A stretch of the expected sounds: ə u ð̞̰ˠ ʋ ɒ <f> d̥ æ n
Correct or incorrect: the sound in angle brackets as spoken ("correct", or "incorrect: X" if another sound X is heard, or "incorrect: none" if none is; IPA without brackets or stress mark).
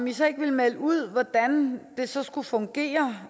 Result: incorrect: none